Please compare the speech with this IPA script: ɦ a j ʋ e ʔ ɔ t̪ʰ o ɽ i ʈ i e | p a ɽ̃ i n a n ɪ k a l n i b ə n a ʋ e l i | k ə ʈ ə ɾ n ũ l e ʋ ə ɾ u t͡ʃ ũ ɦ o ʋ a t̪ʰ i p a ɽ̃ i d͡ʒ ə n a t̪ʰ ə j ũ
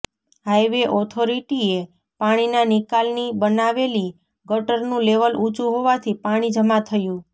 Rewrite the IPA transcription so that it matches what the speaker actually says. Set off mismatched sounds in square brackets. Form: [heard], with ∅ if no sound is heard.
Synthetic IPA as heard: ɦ a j ʋ e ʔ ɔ t̪ʰ o [ɾ] i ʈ i e | p a ɽ̃ i n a n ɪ k a l n i b ə n a ʋ e l i | [ɡ] ə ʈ ə ɾ n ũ l e ʋ ə [l] u t͡ʃ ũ ɦ o ʋ a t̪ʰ i p a ɽ̃ i d͡ʒ ə [m] a t̪ʰ ə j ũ